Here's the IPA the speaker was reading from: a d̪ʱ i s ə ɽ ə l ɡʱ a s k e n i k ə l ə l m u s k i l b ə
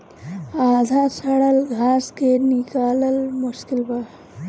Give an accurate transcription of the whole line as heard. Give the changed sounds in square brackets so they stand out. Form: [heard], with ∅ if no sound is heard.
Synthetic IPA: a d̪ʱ [a] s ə ɽ ə l ɡʱ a s k e n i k [a] l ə l m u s k i l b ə